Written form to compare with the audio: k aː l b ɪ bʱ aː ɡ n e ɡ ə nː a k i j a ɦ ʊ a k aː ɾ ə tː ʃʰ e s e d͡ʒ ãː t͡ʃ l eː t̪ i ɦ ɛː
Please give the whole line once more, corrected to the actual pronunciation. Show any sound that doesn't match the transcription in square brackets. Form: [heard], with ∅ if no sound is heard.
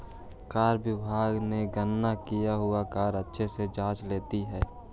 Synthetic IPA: k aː [ɾ] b ɪ bʱ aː ɡ n e ɡ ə nː a k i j a ɦ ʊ a k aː ɾ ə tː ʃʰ e s e d͡ʒ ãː t͡ʃ l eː t̪ i ɦ ɛː

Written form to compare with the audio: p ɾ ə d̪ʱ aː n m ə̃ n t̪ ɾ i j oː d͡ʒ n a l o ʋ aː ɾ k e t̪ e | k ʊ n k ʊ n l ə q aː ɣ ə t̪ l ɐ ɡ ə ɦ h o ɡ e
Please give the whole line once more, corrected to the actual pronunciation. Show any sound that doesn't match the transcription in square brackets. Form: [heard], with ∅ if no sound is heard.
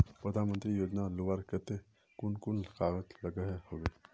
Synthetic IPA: p ɾ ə d̪ʱ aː n m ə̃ n t̪ ɾ i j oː d͡ʒ n a l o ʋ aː ɾ k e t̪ e | k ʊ n k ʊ n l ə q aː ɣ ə t̪ l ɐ ɡ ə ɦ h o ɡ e

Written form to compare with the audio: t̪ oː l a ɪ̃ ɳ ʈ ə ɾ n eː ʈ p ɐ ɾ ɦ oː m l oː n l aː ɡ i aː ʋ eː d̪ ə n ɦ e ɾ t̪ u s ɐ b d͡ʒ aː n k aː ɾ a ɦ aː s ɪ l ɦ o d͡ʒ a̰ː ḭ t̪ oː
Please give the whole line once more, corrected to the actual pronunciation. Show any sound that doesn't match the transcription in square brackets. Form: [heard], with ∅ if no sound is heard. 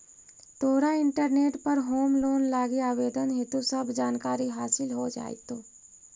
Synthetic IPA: t̪ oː [ɾ] a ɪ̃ ɳ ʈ ə ɾ n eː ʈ p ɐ ɾ ɦ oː m l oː n l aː ɡ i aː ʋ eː d̪ ə n ɦ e [∅] t̪ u s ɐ b d͡ʒ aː n k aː ɾ [i] ɦ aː s ɪ l ɦ o d͡ʒ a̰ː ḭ t̪ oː

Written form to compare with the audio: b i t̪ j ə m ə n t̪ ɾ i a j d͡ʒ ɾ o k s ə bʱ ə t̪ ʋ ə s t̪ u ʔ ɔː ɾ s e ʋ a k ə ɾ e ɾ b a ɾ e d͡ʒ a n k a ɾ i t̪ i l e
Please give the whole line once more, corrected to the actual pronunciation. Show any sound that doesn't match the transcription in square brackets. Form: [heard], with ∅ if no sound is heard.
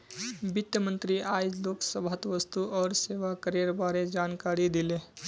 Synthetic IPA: b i t̪ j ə m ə n t̪ ɾ i a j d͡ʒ [l] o k s ə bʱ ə t̪ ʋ ə s t̪ u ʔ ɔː ɾ s e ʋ a k ə ɾ e ɾ b a ɾ e d͡ʒ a n k a ɾ i [d̪] i l e

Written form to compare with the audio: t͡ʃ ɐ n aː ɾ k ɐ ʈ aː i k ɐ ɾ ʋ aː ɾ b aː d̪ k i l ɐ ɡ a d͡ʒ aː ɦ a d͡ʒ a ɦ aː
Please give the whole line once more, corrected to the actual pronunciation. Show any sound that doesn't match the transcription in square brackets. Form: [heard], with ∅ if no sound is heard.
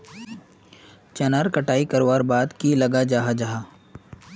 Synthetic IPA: t͡ʃ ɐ n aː ɾ k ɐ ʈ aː i k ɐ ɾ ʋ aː ɾ b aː d̪ k i l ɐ ɡ a d͡ʒ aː ɦ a d͡ʒ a ɦ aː

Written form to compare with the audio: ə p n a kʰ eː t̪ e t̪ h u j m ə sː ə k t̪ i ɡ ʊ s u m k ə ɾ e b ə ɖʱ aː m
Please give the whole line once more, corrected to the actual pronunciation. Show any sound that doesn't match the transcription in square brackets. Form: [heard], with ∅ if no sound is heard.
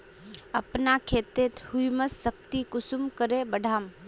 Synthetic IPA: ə p n a kʰ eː t̪ e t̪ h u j m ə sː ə k t̪ i [k] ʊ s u m k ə ɾ e b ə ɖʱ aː m

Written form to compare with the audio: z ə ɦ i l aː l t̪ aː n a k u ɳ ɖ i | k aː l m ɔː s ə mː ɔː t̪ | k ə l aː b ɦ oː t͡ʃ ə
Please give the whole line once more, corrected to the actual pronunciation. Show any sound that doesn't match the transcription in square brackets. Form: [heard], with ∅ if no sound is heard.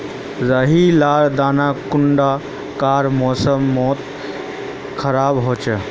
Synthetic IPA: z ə ɦ i l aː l [d̪] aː n a k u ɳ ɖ [a] | k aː [ɾ] m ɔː s ə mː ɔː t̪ | [kʰ] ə [ɾ] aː b ɦ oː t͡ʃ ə

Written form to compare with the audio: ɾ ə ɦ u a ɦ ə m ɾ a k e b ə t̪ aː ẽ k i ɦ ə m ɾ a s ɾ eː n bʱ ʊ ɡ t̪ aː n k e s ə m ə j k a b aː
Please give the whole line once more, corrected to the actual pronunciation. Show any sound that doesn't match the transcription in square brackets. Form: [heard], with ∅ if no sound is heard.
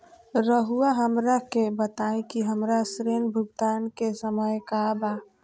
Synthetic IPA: ɾ ə ɦ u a ɦ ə m ɾ a k e b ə t̪ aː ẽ k i ɦ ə m ɾ a s ɾ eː n bʱ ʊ ɡ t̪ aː n k e s ə m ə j k a b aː

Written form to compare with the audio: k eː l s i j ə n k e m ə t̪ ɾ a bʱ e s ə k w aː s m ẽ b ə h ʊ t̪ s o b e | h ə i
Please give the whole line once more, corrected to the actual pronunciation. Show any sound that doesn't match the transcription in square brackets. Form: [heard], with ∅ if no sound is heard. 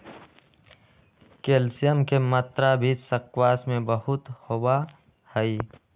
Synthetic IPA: k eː l s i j ə [m] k e m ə t̪ ɾ a bʱ [i] s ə k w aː s m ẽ b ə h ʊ t̪ [h] o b [a] | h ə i

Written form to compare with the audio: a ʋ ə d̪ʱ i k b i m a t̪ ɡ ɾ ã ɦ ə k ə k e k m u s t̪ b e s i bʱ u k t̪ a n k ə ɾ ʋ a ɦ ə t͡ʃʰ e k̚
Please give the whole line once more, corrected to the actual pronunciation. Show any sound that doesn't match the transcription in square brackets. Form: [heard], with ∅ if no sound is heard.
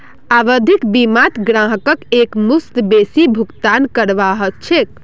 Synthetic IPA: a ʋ ə d̪ʱ i k b i m a t̪ ɡ ɾ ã ɦ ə k ə k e k m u s t̪ b e s i bʱ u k t̪ a n k ə ɾ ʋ a ɦ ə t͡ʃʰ e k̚

